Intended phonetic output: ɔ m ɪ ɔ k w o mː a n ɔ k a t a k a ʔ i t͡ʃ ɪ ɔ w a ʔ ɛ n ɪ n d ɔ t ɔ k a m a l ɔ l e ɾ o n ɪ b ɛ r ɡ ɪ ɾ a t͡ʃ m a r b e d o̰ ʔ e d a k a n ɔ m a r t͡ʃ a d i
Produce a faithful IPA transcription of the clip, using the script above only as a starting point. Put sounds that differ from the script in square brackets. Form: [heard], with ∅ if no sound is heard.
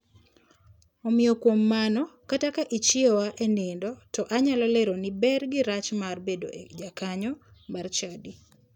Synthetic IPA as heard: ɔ m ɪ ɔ k w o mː a n ɔ k a t a k a ʔ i t͡ʃ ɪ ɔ w a ʔ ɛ n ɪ n d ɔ t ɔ [ʔ] a [ɲ] a l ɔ l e ɾ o n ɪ b ɛ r ɡ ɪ ɾ a t͡ʃ m a r b e d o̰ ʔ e [d͡ʒ] a k a [ɲ] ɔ m a r t͡ʃ a d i

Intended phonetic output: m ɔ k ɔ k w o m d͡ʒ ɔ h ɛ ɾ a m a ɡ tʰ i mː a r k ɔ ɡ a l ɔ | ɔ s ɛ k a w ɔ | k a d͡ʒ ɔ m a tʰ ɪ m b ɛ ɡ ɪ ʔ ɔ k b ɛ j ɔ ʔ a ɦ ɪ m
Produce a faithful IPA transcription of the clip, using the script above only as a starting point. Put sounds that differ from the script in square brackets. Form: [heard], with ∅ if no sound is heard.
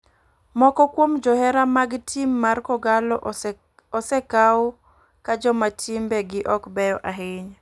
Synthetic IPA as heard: m ɔ k ɔ k w o m d͡ʒ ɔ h ɛ ɾ a m a ɡ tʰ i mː a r k ɔ ɡ a l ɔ | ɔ s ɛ k a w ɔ | k a d͡ʒ ɔ m a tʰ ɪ m b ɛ ɡ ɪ ʔ ɔ k b ɛ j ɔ ʔ a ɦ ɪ [ɲ]

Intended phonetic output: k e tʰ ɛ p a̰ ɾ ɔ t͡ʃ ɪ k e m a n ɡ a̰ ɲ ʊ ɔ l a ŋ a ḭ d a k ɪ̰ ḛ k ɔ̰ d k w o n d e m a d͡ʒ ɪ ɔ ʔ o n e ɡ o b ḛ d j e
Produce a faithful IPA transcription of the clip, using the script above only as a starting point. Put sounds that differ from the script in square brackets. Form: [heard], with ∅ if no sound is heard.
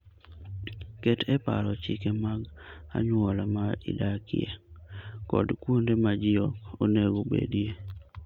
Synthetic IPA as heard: k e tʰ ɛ p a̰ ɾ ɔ t͡ʃ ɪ k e m a [∅] ɡ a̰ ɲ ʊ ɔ l a [m] a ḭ d a k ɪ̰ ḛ k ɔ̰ d k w o n d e m a d͡ʒ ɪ ɔ [k] o n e ɡ o b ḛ d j e

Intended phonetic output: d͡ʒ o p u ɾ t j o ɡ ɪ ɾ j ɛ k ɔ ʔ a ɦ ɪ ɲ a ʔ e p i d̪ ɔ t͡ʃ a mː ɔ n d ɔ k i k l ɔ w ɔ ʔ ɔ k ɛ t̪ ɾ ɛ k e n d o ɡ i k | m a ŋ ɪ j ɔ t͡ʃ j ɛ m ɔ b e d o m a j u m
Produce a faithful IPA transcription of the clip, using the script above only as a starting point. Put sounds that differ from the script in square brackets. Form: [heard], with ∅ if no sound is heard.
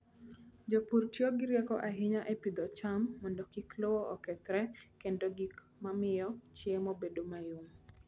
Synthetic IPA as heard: d͡ʒ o p u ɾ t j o ɡ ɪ ɾ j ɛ k ɔ ʔ a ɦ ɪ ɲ a ʔ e p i d̪ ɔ t͡ʃ a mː ɔ n d ɔ k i k l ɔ w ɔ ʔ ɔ k ɛ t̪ ɾ ɛ k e n d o ɡ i k | m a [m] ɪ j ɔ t͡ʃ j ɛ m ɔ b e d o m a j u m

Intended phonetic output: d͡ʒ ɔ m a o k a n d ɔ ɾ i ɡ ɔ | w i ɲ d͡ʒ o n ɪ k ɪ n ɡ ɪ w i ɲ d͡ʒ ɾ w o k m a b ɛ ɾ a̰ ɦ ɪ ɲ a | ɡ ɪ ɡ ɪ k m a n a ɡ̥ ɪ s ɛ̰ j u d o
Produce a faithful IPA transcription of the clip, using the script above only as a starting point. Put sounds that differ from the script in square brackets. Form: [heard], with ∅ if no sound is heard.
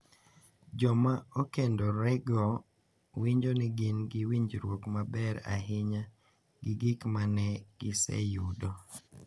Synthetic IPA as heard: d͡ʒ ɔ m a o k [e] n d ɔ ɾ [ɛ] ɡ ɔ | w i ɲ d͡ʒ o n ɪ [ɡ] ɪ n ɡ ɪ w i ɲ d͡ʒ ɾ w o k m a b ɛ ɾ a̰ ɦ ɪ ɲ a | ɡ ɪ ɡ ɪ k m a n [ɛ] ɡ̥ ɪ s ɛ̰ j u d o

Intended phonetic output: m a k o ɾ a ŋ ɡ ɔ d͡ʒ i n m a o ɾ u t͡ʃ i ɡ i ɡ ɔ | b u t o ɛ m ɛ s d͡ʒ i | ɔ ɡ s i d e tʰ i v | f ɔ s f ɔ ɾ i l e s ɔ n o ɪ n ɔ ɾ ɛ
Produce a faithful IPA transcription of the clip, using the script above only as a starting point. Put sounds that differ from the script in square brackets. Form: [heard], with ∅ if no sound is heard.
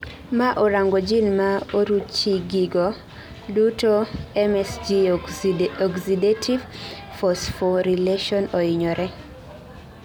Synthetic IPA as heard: m a [ʔ] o ɾ a ŋ ɡ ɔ d͡ʒ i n m a o ɾ u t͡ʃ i ɡ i ɡ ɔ | [d] u t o ɛ m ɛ s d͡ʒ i | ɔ ɡ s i d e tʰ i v | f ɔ s f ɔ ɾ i l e [ʃ] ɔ n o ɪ [ɲ] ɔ ɾ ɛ

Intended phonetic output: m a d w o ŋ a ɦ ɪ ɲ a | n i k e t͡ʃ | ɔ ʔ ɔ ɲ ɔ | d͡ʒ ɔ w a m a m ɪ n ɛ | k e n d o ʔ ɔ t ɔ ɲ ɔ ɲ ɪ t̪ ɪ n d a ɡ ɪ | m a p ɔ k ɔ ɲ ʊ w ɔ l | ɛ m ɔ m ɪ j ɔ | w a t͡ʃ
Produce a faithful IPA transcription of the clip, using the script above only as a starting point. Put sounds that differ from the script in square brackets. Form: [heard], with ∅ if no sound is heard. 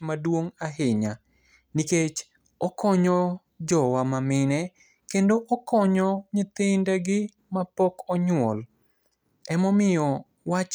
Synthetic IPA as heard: m a d w o ŋ a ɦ ɪ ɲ a | n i k e t͡ʃ | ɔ [k] ɔ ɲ ɔ | d͡ʒ ɔ w a m a m ɪ n ɛ | k e n d o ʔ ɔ [k] ɔ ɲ ɔ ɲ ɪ t̪ ɪ n d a ɡ ɪ | m a p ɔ k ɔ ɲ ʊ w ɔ l | ɛ m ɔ m ɪ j ɔ | w a t͡ʃ

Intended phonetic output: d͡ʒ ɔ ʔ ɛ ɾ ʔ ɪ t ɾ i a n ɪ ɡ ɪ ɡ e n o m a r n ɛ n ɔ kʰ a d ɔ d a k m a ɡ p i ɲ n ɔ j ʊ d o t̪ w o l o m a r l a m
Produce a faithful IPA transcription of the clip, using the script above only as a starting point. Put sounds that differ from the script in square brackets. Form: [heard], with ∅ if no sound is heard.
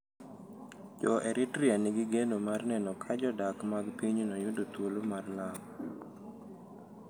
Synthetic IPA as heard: d͡ʒ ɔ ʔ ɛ ɾ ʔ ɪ t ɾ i a n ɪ ɡ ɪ ɡ e n o m a r n ɛ n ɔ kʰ a [d͡ʒ] ɔ d a k m a ɡ p i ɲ n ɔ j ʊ d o t̪ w o l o m a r l a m

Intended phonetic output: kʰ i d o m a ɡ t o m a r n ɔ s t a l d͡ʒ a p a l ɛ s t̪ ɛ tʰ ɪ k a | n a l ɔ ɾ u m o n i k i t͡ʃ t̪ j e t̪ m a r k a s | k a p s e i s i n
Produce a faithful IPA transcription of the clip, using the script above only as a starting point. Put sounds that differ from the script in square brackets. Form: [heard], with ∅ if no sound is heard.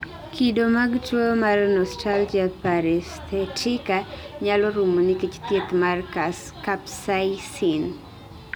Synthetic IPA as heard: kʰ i d o m a ɡ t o m a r n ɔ s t a l d͡ʒ a p a [ɾ] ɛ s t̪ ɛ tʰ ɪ k a | [ɲ] a l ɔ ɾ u m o n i k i t͡ʃ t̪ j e t̪ m a r k a s | k a p s [a] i s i n

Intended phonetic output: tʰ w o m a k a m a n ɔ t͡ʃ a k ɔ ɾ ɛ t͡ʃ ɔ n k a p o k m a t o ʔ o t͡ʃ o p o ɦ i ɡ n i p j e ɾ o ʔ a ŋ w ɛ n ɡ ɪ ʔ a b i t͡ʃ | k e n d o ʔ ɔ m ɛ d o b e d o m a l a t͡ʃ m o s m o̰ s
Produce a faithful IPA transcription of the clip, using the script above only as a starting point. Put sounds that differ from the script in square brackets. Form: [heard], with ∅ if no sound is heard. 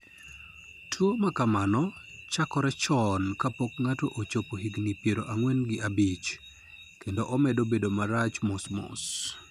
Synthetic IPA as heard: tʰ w o m a k a m a n ɔ t͡ʃ a k ɔ ɾ ɛ t͡ʃ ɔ n k a p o k [ŋ] a t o ʔ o t͡ʃ o p o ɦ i ɡ n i p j e ɾ o ʔ a ŋ w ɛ n ɡ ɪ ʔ a b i t͡ʃ | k e n d o ʔ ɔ m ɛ d o b e d o m a [ɾ] a t͡ʃ m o s m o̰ s

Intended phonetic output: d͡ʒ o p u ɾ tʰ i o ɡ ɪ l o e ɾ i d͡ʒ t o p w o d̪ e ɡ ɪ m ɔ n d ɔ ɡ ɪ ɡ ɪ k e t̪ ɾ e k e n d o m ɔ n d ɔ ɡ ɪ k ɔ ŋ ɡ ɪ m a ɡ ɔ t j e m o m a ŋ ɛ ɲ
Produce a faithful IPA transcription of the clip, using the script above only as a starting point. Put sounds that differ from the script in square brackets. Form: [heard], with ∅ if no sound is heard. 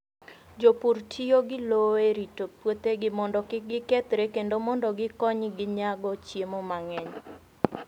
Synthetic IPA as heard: d͡ʒ o p u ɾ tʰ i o ɡ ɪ l o e ɾ i [∅] t o p w o [t̪] e ɡ ɪ m ɔ n d ɔ [k] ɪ ɡ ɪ k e t̪ ɾ e k e n d o m ɔ n d ɔ ɡ ɪ k ɔ [ɲ] ɡ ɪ [ɲ] a ɡ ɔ [t͡ʃ] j e m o m a ŋ ɛ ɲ

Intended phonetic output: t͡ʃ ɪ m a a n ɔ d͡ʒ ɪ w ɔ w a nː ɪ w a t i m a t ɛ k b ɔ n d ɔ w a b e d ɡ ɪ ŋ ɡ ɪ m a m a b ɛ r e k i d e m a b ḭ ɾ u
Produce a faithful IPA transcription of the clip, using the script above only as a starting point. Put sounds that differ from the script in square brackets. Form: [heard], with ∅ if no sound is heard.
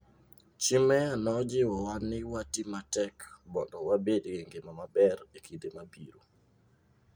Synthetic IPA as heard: t͡ʃ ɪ m [ɛ] a n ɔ d͡ʒ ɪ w ɔ w a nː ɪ w a t i m a t ɛ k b ɔ n d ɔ w a b e d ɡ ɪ ŋ ɡ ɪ m a m a b ɛ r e k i d e m a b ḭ ɾ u

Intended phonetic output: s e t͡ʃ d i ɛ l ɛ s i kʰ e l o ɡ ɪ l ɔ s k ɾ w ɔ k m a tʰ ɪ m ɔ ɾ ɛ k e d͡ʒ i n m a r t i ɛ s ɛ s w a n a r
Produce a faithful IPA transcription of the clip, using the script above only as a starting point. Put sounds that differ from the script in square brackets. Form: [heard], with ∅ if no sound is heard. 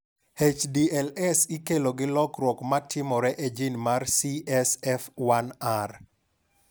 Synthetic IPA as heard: [h] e t͡ʃ d i ɛ l ɛ s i [k] e l o ɡ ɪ l ɔ [∅] k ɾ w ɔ k m a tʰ ɪ m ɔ ɾ ɛ [ʔ] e d͡ʒ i n m a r [s] i ɛ s ɛ [f] w a n a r

